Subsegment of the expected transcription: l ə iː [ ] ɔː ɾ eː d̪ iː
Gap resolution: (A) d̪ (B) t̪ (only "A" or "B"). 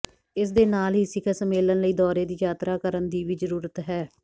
A